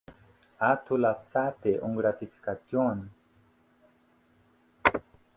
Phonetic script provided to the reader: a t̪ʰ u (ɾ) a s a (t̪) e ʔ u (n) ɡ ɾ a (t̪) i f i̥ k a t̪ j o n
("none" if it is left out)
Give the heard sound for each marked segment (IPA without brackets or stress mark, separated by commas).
l, t̪, ŋ, t̪